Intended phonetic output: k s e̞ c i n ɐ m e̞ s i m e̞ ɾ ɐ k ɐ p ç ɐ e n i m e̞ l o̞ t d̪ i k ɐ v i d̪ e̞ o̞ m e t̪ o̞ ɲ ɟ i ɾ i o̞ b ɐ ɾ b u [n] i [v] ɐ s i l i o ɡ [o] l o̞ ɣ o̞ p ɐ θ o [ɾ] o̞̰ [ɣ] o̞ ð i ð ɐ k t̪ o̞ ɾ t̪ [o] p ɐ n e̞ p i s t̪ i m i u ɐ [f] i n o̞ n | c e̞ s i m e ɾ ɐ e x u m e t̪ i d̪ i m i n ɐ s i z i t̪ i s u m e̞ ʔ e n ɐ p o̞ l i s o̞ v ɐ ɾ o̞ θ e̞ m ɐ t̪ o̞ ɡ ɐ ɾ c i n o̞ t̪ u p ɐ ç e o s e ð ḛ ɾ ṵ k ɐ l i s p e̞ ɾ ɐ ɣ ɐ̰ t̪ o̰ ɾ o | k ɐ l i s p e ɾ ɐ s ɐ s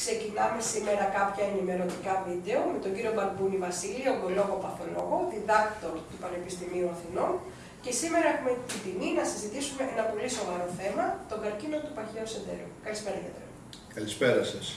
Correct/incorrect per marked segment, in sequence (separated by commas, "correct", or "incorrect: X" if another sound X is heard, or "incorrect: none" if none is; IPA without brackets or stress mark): correct, correct, correct, incorrect: l, correct, incorrect: u, incorrect: θ